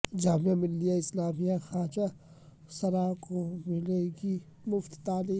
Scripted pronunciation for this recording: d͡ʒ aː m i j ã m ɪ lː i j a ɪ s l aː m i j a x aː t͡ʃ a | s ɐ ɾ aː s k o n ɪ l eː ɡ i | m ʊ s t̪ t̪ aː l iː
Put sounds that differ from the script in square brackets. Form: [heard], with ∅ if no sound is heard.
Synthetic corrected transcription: d͡ʒ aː m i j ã m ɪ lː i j a ɪ s l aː m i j a x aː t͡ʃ a | s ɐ ɾ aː [∅] k o [m] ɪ l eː ɡ i | m ʊ [f] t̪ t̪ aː l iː